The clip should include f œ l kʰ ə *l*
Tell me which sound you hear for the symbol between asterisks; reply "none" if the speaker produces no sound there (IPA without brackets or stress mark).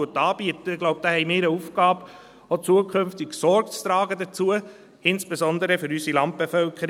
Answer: ɾ